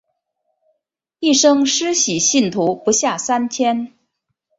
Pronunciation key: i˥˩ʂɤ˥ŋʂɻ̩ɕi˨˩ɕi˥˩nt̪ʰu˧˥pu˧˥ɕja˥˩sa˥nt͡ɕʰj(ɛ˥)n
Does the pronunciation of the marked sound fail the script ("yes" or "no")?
no